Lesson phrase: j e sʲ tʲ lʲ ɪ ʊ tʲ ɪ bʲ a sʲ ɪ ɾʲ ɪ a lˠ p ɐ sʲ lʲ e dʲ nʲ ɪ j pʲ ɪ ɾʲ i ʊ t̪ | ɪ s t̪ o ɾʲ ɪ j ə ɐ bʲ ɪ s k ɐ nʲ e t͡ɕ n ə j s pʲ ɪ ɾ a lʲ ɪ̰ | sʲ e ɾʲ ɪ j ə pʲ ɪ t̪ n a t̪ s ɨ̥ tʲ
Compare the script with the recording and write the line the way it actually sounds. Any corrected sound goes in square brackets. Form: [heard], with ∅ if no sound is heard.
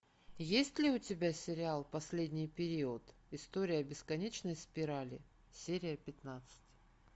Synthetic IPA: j e sʲ tʲ lʲ ɪ ʊ tʲ ɪ bʲ a sʲ ɪ ɾʲ ɪ a lˠ p ɐ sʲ lʲ e dʲ nʲ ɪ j pʲ ɪ ɾʲ i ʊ t̪ | ɪ s t̪ o ɾʲ ɪ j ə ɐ bʲ ɪ s k ɐ nʲ e t͡ɕ n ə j s pʲ ɪ ɾ a lʲ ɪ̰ | sʲ e ɾʲ ɪ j ə pʲ ɪ t̪ n a t̪ s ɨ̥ tʲ